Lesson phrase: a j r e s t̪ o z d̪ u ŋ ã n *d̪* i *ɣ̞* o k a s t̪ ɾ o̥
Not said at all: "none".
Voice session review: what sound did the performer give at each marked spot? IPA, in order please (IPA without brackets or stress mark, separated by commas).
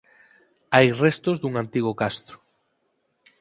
t̪, ɣ̞